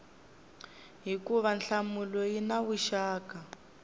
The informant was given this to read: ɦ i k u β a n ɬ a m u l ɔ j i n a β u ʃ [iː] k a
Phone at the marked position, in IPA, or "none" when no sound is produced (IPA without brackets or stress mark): aː